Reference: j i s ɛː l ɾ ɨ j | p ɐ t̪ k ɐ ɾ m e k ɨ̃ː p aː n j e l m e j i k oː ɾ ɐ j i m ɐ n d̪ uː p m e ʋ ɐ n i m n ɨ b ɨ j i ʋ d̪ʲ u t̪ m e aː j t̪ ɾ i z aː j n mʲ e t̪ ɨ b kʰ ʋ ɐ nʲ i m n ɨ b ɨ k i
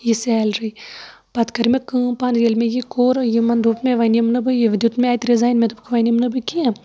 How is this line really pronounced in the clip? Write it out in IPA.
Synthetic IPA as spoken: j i s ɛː l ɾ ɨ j | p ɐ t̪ k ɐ ɾ m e k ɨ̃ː p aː n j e l m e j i k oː ɾ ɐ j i m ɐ n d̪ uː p m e ʋ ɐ n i m n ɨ b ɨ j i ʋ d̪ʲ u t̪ m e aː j t̪ ɾ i z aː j n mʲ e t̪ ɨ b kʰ ʋ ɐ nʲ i m n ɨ b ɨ k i